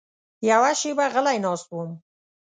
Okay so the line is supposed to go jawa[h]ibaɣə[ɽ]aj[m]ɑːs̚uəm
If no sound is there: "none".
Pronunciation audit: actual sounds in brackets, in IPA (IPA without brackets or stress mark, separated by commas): ʃ, l, n